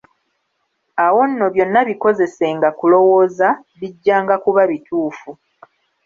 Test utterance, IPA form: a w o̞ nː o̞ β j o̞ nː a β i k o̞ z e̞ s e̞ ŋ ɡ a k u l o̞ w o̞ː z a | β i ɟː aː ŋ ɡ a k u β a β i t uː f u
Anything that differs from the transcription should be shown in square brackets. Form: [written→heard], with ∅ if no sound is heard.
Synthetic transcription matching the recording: a w o̞ nː o̞ β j o̞ nː a β i k o̞ z e̞ s e̞ ŋ ɡ a k u l o̞ w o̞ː z a | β i ɟː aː ŋ ɡ a k u β a β i t uː f u